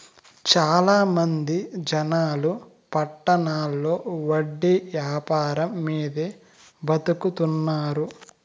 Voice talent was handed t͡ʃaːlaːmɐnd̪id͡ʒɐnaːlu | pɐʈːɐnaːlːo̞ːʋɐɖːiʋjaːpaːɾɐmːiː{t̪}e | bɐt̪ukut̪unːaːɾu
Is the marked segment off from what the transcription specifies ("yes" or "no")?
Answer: yes